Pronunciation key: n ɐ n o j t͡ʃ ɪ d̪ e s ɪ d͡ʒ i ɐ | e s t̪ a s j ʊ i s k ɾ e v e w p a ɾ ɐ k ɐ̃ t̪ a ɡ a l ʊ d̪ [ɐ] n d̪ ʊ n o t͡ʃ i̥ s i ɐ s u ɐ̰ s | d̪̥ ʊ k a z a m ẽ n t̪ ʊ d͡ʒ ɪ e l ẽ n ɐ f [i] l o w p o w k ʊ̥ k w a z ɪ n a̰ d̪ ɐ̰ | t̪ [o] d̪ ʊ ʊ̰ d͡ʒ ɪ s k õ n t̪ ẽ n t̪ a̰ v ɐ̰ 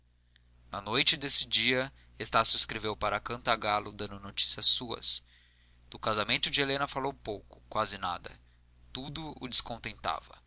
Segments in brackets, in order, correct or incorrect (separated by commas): incorrect, incorrect, incorrect